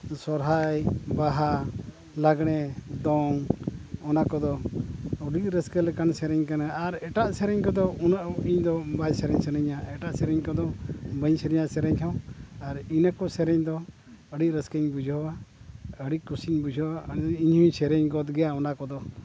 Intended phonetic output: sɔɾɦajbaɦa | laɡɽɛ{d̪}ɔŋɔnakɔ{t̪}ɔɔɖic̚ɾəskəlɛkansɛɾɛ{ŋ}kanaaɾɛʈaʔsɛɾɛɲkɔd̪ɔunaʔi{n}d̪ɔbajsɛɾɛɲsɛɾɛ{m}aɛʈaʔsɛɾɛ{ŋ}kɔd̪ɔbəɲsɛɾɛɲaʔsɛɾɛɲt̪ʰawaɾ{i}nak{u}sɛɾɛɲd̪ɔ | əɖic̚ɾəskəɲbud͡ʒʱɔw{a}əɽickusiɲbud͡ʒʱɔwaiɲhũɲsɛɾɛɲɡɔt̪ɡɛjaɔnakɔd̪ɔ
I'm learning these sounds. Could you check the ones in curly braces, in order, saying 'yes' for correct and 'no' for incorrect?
yes, no, no, no, no, no, yes, no, yes

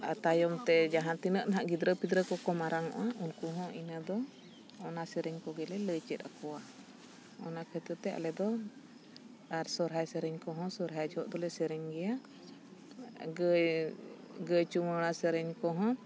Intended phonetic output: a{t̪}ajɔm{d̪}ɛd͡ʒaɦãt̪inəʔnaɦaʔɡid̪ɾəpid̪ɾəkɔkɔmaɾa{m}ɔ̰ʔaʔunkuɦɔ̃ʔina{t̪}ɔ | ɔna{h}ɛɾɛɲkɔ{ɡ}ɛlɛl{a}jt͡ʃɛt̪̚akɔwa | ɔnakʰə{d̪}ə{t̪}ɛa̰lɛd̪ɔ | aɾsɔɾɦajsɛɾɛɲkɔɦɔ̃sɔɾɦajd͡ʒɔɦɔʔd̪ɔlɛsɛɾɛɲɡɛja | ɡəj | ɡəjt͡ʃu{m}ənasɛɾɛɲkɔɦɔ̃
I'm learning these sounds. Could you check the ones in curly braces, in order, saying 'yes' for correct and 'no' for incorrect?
yes, no, no, no, no, yes, no, no, yes, yes

